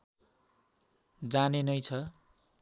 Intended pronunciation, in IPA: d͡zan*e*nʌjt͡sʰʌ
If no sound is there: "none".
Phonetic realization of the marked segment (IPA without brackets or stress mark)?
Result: e